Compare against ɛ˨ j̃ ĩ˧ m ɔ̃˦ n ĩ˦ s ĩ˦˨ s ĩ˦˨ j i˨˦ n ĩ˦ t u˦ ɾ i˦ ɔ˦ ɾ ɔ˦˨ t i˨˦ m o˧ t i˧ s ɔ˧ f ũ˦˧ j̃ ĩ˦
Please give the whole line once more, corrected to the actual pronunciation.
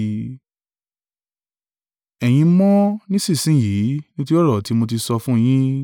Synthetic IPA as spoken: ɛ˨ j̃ ĩ˧ m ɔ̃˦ n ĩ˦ s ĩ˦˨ s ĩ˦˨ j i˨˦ n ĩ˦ t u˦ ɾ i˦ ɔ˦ ɾ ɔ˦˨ t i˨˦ m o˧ t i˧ s ɔ˧ f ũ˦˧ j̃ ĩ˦

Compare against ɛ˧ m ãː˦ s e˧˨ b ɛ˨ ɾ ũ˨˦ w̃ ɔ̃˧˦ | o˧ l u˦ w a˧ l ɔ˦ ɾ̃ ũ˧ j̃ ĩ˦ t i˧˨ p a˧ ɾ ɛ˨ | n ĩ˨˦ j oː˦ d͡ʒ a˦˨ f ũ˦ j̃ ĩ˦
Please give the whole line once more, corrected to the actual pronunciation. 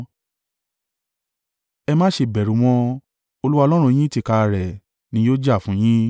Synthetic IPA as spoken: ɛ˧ m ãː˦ ʃ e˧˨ b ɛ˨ ɾ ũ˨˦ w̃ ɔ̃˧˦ | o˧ l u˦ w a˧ l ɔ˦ ɾ̃ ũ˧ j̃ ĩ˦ t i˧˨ k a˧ ɾ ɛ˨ | n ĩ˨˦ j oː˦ d͡ʒ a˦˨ f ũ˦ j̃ ĩ˦

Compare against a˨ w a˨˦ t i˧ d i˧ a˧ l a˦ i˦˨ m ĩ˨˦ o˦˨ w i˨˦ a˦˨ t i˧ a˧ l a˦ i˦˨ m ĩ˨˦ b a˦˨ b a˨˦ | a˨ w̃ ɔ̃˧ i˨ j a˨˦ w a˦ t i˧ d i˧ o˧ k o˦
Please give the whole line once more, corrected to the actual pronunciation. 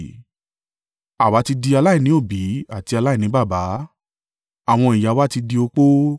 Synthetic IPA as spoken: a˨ w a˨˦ t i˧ d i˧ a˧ l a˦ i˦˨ n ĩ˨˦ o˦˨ b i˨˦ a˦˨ t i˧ a˧ l a˦ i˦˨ n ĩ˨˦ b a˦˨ b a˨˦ | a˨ w̃ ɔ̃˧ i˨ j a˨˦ w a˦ t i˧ d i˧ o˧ k͡p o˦

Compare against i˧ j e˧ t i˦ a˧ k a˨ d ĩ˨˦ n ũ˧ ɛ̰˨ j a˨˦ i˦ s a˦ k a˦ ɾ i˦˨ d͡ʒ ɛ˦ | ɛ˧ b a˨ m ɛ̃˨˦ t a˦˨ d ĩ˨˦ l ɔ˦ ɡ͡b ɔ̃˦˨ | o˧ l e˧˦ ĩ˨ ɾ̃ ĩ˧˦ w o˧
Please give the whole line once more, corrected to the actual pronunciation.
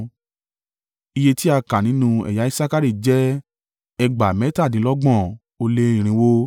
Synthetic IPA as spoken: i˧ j e˧ t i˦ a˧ k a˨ n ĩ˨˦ n ũ˧ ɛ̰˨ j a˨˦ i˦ s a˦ k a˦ ɾ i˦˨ d͡ʒ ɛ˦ | ɛ˧ ɡ͡b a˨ m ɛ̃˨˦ t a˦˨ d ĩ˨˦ l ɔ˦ ɡ͡b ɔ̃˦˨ | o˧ l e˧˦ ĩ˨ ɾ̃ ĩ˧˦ w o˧

